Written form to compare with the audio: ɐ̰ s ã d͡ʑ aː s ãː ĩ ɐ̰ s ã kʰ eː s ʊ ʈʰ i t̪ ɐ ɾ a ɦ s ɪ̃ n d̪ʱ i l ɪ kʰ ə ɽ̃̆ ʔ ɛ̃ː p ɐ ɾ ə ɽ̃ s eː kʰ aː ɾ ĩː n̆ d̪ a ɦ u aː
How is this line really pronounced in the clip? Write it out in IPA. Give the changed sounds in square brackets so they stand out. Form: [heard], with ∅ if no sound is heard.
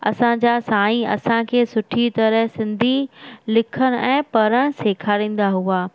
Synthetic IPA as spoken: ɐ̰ s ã d͡ʑ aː s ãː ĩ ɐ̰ s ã kʰ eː s ʊ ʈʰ i t̪ ɐ ɾ [ə] ɦ s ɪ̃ n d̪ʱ i l ɪ kʰ ə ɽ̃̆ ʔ ɛ̃ː p ɐ ɾ ə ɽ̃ s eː kʰ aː ɾ ĩː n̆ d̪ a ɦ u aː